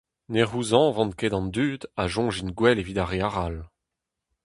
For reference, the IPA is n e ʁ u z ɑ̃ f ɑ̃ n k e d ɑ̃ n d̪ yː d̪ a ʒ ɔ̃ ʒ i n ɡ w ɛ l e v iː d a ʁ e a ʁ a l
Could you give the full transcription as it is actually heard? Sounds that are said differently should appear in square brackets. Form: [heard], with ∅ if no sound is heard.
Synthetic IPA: n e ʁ u z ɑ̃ [v] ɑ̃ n k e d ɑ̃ n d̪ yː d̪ a ʒ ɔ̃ ʒ i n ɡ w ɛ l e v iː d a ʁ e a ʁ a l